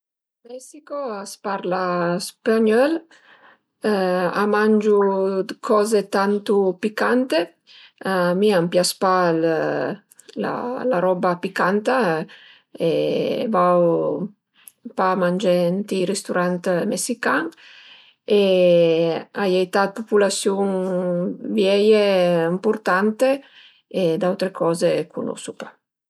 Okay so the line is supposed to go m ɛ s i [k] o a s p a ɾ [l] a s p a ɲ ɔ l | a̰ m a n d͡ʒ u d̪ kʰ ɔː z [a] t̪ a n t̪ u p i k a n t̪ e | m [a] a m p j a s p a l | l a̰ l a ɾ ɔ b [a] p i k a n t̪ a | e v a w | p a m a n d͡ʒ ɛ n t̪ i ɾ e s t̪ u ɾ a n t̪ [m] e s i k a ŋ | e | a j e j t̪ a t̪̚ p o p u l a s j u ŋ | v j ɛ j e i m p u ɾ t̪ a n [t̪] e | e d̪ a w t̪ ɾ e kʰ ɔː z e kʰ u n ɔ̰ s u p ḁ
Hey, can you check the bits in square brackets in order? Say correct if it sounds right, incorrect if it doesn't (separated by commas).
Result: correct, correct, incorrect, incorrect, correct, correct, correct